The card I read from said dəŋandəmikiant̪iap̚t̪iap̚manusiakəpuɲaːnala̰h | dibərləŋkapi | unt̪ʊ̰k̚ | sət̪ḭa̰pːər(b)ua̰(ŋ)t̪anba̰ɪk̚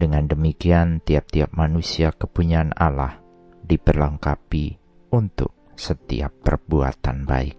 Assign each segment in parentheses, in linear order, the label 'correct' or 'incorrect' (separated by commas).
correct, incorrect